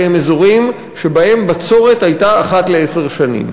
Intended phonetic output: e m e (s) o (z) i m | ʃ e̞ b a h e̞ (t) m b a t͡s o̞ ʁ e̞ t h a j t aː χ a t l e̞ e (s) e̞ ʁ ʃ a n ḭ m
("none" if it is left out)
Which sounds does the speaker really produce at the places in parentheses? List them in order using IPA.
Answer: z, ʁ, none, s

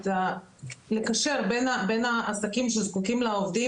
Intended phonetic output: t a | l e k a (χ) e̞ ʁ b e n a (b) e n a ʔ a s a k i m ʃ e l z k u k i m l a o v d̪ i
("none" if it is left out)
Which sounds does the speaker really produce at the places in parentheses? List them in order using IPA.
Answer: ʃ, b

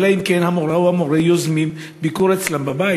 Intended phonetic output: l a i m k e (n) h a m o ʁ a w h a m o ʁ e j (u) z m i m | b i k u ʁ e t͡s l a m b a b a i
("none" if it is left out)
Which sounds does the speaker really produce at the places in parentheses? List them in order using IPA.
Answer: n, o

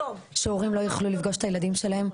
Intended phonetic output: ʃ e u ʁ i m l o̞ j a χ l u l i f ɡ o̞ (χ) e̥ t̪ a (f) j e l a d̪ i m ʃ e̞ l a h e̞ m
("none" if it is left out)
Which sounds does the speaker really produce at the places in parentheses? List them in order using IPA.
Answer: ʃ, none

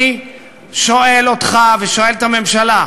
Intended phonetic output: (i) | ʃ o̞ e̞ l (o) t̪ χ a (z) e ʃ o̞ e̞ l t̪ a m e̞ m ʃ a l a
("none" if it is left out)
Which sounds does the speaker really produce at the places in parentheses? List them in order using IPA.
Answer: i, o, v

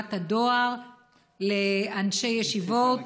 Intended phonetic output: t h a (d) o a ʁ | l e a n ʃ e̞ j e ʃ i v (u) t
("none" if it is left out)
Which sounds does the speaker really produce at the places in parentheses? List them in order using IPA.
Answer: d, o

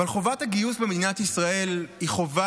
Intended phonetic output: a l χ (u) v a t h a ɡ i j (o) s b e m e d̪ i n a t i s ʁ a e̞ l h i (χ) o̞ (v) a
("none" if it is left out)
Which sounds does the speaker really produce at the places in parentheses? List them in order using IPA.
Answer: o, u, χ, v

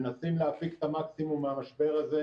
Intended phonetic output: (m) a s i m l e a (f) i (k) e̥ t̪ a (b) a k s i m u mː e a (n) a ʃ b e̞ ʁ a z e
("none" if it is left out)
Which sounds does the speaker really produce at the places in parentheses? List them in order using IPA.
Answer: n, f, k, m, m

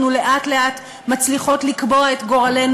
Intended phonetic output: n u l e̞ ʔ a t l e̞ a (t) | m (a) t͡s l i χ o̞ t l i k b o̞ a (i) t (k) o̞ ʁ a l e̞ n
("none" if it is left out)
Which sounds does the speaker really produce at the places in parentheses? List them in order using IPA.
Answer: t, a, e, ɡ

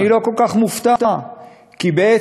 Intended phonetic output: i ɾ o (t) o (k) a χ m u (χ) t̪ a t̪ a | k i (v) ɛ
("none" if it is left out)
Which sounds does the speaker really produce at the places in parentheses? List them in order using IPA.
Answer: k, k, f, b

